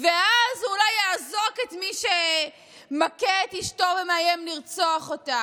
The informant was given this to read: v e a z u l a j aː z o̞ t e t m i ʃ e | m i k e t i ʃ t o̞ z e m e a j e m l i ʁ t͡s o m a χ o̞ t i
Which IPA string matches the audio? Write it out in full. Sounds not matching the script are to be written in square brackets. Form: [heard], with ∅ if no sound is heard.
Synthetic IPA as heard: v e a z u l a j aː z o̞ [k] e t m i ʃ e | m [a] k e t i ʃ t o̞ [v] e m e a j e m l i ʁ t͡s o [∅] a χ o̞ t [a]